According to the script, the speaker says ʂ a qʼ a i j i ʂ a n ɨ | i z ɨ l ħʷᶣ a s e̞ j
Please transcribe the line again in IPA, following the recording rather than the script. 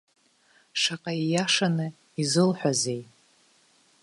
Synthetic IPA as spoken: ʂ a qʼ a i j a ʂ a n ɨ | i z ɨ l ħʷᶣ a z e̞ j

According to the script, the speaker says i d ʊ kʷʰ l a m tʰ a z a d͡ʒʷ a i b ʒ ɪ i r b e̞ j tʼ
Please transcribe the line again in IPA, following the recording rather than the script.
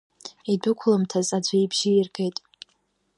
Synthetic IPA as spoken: i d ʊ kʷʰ l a m tʰ a z a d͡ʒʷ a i b ʒ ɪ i r ɡ e̞ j tʼ

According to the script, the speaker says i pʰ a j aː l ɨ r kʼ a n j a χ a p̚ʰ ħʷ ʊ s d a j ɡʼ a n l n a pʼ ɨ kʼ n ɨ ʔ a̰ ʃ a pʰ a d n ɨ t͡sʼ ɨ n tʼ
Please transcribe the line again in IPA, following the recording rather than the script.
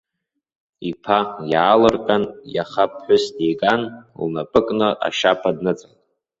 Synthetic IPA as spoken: i pʰ a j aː l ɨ r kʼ a n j a χ a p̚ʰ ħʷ ʊ s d e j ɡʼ a n l n a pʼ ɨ kʼ n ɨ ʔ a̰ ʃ a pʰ a d n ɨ t͡sʼ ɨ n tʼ

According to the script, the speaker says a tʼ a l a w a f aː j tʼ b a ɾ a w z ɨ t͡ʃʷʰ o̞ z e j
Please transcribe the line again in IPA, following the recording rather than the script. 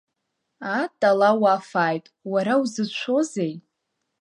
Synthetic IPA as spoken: a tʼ a l a w a f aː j tʼ w a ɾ a w z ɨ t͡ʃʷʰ o̞ z e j

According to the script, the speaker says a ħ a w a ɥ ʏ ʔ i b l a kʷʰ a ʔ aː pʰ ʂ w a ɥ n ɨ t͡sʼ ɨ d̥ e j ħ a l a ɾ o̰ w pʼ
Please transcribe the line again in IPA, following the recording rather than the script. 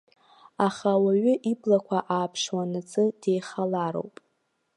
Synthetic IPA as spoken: a χ a w a ɥ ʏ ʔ i b l a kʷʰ a ʔ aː pʰ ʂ w a n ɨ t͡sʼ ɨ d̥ e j χ a l a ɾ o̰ w pʼ

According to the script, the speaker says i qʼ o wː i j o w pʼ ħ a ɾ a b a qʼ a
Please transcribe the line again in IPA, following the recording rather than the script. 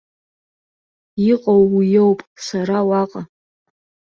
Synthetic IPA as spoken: i qʼ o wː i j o w pʼ s a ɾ a w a qʼ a

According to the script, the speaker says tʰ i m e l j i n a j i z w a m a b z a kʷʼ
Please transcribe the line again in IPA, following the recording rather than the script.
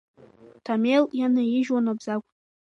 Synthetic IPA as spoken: tʰ a m e l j a n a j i ʒ w a n a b z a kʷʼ

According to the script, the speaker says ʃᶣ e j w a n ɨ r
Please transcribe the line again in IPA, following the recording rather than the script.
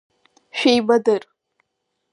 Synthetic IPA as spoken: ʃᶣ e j b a d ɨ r

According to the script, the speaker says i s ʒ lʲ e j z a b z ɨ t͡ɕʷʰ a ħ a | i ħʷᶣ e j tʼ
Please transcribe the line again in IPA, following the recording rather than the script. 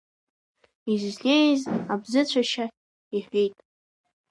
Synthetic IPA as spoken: i z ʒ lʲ e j z a b z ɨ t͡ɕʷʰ a ʃ a | i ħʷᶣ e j tʼ

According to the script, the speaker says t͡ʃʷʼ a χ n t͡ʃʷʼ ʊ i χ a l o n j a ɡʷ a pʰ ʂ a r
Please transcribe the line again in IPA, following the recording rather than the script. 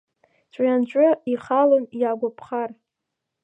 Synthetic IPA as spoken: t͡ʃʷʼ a n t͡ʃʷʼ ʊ i χ a l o n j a ɡʷ a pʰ χ a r

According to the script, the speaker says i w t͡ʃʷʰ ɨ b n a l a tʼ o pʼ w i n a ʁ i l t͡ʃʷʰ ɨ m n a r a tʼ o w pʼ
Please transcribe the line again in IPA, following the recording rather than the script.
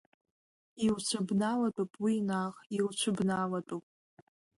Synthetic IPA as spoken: i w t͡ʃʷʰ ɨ b n a l a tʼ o pʼ w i n a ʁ i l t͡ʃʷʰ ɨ b n a l a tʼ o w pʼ

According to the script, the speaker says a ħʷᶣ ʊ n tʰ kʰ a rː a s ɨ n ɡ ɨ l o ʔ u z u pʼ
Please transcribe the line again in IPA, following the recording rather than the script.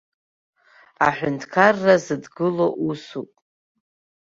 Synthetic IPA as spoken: a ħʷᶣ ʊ n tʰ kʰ a rː a z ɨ d ɡ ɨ l o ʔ u s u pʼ

